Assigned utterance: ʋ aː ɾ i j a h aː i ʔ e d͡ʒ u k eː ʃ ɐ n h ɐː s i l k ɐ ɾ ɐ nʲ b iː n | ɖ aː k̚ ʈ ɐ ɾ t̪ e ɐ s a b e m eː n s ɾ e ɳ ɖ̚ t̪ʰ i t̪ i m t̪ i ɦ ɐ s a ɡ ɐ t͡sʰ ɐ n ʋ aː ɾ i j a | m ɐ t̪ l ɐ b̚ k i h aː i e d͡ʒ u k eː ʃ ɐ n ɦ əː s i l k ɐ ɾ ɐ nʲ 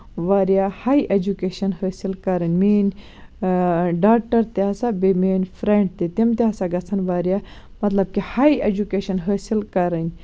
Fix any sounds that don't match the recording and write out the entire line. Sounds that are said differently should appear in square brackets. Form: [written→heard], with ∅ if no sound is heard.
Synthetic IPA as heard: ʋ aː ɾ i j a h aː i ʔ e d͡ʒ u k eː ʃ ɐ n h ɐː s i l k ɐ ɾ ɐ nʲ [b→m] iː n | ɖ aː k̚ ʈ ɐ ɾ t̪ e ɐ s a b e m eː n [s→f] ɾ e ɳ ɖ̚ [t̪ʰ→t̪] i t̪ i m t̪ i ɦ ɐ s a ɡ ɐ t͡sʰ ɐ n ʋ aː ɾ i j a | m ɐ t̪ l ɐ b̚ k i h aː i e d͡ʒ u k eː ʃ ɐ n ɦ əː s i l k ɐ ɾ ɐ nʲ

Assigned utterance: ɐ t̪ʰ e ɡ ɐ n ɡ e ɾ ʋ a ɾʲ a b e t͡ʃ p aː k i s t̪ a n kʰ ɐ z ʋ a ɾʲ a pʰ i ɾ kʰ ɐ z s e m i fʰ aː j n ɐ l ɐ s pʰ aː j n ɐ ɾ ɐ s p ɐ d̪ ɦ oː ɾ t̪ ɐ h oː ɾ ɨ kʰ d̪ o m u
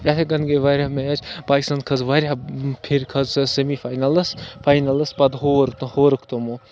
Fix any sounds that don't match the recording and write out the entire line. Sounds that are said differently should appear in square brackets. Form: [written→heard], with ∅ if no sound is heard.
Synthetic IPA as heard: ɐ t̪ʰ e ɡ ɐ n ɡ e [ɾ→∅] ʋ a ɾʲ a [b→m] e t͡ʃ p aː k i s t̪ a n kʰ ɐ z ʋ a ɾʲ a pʰ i ɾ kʰ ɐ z s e m i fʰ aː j n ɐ l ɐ s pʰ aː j n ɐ [ɾ→l] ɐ s p ɐ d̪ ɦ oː ɾ t̪ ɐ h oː ɾ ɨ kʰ [d̪→t̪] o m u

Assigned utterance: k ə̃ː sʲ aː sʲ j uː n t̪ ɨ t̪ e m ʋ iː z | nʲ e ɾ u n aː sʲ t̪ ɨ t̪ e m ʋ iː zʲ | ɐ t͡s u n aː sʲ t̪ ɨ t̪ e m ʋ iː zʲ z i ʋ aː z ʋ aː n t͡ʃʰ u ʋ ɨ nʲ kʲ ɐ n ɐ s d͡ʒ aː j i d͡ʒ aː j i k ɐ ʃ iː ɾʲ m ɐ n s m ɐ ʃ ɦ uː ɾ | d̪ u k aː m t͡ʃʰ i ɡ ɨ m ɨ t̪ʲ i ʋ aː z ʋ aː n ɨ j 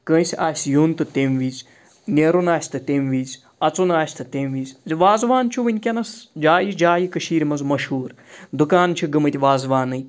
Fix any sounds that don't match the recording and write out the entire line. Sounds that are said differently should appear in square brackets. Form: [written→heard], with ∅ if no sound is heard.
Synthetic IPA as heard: k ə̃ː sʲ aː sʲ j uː n t̪ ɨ t̪ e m ʋ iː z | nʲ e ɾ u n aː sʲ t̪ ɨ t̪ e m ʋ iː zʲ | ɐ t͡s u n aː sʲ t̪ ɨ t̪ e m ʋ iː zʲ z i ʋ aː z ʋ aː n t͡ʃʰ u ʋ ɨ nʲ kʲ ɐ n ɐ s d͡ʒ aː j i d͡ʒ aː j i k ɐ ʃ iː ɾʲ m ɐ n [s→z] m ɐ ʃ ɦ uː ɾ | d̪ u k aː [m→n] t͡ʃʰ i ɡ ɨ m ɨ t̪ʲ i ʋ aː z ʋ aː n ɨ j

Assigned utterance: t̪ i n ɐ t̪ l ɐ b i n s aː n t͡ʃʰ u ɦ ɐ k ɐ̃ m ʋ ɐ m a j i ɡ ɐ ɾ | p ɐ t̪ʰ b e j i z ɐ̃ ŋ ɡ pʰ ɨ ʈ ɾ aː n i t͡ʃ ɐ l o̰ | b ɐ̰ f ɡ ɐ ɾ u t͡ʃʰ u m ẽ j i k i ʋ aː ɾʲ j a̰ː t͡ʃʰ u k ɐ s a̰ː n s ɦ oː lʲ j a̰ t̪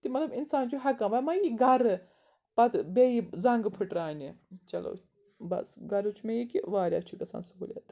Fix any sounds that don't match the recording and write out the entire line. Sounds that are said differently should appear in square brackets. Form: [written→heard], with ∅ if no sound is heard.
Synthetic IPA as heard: t̪ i [n→m] ɐ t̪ l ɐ b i n s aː n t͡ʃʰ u ɦ ɐ k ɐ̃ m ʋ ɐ m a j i ɡ ɐ ɾ | p ɐ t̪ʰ b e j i z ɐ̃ ŋ ɡ pʰ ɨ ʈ ɾ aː n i t͡ʃ ɐ l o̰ | b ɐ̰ [f→s] ɡ ɐ ɾ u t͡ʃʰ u m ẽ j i k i ʋ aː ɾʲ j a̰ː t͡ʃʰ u k ɐ s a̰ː n s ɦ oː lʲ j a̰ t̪

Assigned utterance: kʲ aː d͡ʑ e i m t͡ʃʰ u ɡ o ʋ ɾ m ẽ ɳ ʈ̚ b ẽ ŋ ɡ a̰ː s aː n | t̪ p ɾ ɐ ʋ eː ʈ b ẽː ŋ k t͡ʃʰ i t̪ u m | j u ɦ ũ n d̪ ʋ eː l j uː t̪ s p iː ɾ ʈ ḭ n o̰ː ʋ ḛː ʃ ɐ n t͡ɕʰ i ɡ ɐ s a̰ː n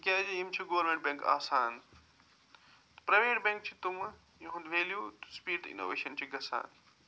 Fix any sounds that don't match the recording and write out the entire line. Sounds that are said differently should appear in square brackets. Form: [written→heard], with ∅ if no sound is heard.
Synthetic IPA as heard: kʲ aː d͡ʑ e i m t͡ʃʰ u ɡ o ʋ ɾ m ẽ ɳ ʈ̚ b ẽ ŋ [ɡ→k] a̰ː s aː n | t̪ p ɾ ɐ ʋ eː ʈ b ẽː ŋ k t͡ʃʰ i t̪ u m | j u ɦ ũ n d̪ ʋ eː l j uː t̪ s p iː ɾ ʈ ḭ n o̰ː ʋ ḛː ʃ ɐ n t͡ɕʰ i ɡ ɐ s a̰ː n

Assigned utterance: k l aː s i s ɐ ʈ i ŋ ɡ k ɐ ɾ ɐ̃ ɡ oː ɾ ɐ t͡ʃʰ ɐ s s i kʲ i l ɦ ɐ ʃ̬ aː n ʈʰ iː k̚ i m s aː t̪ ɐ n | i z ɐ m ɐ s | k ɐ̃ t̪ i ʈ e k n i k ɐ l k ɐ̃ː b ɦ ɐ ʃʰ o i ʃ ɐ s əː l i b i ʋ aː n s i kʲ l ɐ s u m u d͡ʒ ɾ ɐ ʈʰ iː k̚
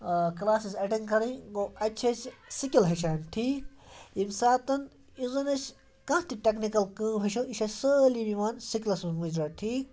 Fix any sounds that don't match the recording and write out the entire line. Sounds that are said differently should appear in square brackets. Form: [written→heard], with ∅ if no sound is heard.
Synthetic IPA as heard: k l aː s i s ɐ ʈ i ŋ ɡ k ɐ ɾ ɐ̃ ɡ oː [ɾ→∅] ɐ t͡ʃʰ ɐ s s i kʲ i l ɦ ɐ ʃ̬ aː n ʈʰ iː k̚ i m s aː t̪ ɐ n | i z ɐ [m→n] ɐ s | k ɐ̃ t̪ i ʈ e k n i k ɐ l k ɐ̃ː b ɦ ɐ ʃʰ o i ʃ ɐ s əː l i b i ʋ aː n s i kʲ l ɐ s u m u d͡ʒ ɾ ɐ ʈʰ iː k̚

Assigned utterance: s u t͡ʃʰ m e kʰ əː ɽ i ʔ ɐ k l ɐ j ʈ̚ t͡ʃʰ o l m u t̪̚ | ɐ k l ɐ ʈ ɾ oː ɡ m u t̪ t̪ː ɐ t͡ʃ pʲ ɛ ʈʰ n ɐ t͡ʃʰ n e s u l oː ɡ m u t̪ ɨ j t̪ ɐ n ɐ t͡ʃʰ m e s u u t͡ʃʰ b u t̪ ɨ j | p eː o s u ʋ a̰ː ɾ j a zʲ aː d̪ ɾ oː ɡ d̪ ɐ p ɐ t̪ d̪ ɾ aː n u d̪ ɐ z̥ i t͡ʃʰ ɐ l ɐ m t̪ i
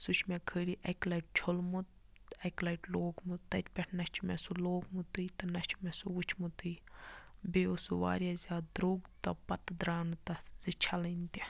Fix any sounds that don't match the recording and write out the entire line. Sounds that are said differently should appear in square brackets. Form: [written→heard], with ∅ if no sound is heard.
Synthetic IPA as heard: s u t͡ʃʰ m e kʰ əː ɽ i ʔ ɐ k l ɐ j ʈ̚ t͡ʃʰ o l m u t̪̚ | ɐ k l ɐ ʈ [ɾ→l] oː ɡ m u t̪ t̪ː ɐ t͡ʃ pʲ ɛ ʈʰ n ɐ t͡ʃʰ [n→m] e s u l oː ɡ m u t̪ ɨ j t̪ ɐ n ɐ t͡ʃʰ m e s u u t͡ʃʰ [b→m] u t̪ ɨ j | [p→b] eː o s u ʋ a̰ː ɾ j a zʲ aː d̪ ɾ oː ɡ [d̪→t̪] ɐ p ɐ t̪ d̪ ɾ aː n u [d̪→t̪] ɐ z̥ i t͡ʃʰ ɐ l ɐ [m→n] t̪ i

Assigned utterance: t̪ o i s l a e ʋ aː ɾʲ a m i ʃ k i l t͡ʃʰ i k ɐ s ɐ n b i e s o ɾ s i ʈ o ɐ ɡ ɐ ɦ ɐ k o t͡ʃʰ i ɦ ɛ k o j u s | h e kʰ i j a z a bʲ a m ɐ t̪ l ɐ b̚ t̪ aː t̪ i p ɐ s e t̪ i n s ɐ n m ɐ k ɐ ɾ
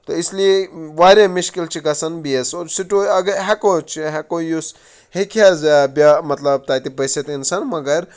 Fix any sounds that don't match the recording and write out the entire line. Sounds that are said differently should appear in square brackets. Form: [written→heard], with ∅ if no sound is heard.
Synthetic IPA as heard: t̪ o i s l [a→i] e ʋ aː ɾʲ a m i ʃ k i l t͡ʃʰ i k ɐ s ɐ n b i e s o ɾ s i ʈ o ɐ ɡ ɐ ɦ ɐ k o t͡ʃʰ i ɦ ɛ k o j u s | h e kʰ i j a z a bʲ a m ɐ t̪ l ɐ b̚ t̪ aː t̪ i p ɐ s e t̪ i n s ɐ n m ɐ [k→ɡ] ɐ ɾ

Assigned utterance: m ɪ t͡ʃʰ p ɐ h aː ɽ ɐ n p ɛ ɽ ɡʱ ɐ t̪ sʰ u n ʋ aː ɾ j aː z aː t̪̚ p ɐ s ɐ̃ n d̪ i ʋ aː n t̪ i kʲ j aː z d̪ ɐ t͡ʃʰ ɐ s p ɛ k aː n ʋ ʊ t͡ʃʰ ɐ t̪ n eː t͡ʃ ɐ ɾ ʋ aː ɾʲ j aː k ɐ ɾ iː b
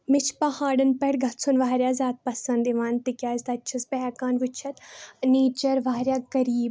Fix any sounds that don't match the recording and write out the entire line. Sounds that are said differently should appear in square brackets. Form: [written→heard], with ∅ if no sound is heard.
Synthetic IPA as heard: m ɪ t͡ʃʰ p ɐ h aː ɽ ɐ n p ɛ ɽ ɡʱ ɐ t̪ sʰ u n ʋ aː ɾ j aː z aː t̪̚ p ɐ s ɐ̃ n d̪ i ʋ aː n t̪ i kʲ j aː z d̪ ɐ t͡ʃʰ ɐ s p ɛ k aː n ʋ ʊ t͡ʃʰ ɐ t̪ n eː t͡ʃ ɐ ɾ ʋ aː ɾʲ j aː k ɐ ɾ iː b

